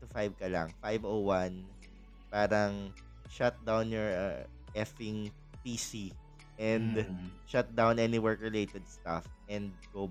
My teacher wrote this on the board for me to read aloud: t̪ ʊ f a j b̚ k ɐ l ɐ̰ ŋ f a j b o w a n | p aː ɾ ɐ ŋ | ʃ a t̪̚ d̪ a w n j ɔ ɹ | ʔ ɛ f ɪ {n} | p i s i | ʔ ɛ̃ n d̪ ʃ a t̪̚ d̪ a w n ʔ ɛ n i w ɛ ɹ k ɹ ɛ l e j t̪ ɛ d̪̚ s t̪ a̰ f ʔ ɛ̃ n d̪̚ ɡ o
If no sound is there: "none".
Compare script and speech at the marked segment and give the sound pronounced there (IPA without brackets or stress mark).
ŋ